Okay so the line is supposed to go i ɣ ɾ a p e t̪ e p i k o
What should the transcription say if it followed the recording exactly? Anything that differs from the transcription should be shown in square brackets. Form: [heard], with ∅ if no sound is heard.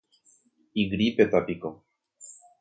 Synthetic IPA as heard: i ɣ ɾ [i] p e t̪ [a] p i k o